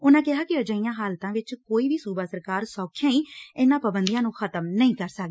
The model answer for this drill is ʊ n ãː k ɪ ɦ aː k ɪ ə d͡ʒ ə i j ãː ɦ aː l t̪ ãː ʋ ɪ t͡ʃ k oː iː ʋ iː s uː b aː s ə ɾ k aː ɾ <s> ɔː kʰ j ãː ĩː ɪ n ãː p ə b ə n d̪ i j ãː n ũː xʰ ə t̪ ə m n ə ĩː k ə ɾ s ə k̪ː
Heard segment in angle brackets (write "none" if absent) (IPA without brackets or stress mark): s